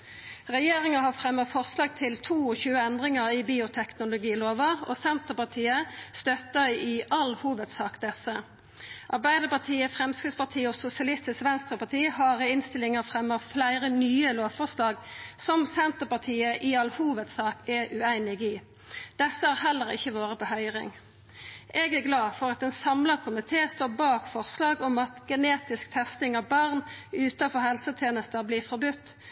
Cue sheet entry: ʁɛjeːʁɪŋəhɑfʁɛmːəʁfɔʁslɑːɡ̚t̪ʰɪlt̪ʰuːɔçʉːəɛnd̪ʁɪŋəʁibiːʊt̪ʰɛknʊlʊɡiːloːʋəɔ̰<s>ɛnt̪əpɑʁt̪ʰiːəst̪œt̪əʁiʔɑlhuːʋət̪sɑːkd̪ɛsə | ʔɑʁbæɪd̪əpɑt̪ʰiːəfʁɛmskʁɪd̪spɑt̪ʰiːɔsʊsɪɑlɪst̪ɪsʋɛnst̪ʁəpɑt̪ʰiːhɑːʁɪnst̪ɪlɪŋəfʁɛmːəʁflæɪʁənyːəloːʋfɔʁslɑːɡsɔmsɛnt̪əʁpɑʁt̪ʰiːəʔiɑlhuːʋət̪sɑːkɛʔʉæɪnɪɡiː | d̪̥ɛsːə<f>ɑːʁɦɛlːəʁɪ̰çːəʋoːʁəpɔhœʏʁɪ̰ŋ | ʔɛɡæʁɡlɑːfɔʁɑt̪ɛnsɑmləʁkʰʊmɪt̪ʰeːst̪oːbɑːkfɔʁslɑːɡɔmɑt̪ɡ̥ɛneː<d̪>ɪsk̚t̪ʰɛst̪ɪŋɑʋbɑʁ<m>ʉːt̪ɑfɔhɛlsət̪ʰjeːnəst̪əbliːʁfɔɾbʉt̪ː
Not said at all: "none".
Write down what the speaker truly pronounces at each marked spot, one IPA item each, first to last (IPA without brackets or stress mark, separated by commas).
s, h, t̪, n